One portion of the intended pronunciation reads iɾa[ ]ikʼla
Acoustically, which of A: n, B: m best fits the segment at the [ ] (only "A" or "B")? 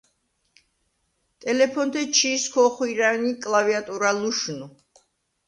A